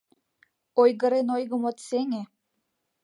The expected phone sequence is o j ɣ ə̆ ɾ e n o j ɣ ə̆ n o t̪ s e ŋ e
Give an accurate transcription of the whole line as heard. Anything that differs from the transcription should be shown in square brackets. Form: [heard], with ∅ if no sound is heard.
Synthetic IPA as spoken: o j ɣ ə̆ ɾ e n o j ɣ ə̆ [m] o t̪ s e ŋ e